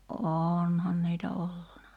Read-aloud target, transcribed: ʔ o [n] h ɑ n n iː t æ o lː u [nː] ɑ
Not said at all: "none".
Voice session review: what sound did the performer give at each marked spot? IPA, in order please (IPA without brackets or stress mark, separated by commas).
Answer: n, n